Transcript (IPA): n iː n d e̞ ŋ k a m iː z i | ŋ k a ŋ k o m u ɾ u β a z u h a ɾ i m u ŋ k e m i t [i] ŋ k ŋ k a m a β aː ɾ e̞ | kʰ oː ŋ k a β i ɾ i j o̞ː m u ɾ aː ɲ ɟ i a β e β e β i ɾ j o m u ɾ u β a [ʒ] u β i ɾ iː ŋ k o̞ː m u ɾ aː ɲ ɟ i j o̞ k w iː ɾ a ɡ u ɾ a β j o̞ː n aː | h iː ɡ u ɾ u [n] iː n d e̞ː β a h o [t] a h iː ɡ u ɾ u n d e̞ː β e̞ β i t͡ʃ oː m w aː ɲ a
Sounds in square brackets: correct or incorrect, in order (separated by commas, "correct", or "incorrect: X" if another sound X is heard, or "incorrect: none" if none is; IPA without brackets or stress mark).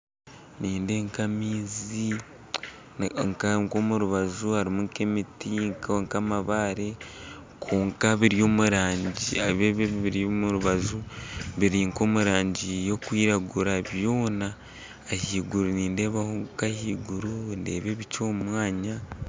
correct, incorrect: z, correct, incorrect: k